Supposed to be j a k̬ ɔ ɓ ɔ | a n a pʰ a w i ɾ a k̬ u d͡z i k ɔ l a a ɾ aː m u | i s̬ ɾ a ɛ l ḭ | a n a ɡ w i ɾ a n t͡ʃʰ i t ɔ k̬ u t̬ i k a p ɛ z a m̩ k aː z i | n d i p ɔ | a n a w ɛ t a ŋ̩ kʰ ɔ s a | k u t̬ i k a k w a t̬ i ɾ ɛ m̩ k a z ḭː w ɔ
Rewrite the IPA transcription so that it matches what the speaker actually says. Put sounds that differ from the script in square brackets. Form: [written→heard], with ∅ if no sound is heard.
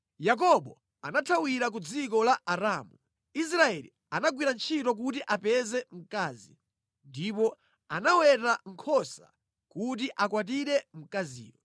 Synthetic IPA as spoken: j a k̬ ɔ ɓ ɔ | a n a [pʰ→tʰ] a w i ɾ a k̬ u d͡z i k ɔ l a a ɾ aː m u | i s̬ ɾ a ɛ l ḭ | a n a ɡ w i ɾ a n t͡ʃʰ i t ɔ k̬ u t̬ i [k→ʔ] a p ɛ z [a→ɛ] m̩ k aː z i | n d i p ɔ | a n a w ɛ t a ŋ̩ kʰ ɔ s a | k u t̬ i [k→ʔ] a k w a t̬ i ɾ ɛ m̩ k a z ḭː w ɔ